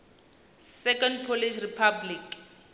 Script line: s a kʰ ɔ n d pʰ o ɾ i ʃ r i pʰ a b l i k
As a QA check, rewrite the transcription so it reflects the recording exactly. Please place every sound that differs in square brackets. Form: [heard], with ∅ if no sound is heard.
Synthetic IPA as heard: s [ɛ] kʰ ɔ n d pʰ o [l] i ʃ r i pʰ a b l i k